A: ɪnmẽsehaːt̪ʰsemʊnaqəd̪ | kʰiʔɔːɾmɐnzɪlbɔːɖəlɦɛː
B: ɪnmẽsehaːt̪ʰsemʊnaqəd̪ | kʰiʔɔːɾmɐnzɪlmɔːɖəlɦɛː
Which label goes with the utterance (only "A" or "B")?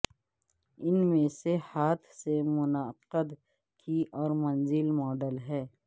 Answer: B